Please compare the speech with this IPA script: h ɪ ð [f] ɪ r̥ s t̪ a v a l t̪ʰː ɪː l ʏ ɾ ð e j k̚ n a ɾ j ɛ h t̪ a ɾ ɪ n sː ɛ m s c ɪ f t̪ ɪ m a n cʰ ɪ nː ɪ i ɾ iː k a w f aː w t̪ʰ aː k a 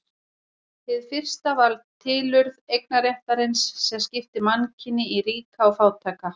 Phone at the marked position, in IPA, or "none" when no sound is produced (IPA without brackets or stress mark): f